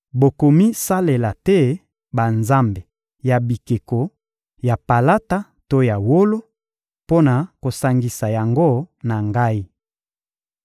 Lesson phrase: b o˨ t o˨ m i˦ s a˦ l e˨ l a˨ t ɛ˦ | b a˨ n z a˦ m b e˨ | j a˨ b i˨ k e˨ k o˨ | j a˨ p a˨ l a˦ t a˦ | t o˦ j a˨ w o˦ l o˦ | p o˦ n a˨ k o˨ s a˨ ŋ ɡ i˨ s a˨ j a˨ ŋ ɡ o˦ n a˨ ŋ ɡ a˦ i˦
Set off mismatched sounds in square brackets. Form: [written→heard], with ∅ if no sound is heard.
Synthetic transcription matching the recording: b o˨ [t→k] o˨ m i˦ s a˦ l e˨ l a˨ t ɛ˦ | b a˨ n z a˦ m b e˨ | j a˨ b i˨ k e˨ k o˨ | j a˨ p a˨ l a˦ t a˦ | t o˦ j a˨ w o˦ l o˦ | p o˦ n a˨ k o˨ s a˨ ŋ ɡ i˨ s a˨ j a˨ ŋ ɡ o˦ n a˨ ŋ ɡ a˦ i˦